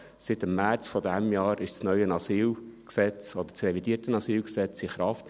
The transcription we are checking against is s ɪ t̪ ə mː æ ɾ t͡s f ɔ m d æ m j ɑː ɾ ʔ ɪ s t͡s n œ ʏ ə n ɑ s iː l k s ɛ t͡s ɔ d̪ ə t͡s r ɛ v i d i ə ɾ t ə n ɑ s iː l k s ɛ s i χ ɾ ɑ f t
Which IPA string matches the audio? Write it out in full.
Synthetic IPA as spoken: s ɪ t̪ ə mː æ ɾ t͡s f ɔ d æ m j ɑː ɾ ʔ ɪ ʃ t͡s n œ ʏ ə n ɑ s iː l k s ɛ t͡s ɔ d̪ ə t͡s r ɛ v i d i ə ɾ t ə n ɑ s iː l k s ɛ t͡s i χ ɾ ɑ f t